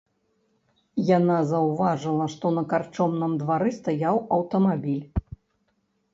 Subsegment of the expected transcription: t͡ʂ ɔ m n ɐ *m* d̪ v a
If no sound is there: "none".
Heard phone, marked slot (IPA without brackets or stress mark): m